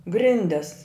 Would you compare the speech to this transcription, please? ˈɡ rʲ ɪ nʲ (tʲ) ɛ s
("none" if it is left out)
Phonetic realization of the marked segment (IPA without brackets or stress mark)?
dʲ